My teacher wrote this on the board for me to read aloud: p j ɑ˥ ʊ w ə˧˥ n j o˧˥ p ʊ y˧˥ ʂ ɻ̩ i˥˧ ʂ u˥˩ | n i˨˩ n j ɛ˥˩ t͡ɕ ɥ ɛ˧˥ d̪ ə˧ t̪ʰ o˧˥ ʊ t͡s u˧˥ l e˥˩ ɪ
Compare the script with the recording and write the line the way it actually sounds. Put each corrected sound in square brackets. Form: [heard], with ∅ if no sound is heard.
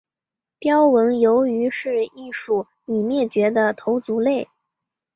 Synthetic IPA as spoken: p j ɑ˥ ʊ w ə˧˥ n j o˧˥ [∅] ʊ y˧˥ ʂ ɻ̩ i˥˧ ʂ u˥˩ | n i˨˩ [m] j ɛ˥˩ t͡ɕ ɥ ɛ˧˥ d̪ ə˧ t̪ʰ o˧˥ ʊ t͡s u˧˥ l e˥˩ ɪ